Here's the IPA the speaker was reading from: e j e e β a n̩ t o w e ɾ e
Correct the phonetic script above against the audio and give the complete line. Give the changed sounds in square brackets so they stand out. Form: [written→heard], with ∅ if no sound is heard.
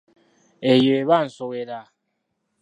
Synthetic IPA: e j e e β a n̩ [t→s] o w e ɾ [e→a]